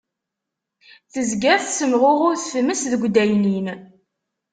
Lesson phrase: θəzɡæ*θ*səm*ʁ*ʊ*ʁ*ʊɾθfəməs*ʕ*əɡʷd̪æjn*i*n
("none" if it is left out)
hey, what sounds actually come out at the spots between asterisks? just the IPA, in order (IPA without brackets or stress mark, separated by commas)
θ, ʁ, ʁ, ð, i